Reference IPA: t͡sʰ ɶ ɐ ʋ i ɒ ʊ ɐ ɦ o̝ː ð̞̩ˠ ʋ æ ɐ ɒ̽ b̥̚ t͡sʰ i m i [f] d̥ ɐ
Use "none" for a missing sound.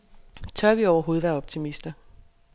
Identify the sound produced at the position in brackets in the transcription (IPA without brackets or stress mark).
s